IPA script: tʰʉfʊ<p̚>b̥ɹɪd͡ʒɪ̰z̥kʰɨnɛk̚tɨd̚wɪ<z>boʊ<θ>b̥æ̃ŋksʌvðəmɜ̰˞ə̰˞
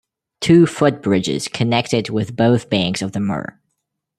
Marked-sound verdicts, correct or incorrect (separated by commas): incorrect, incorrect, correct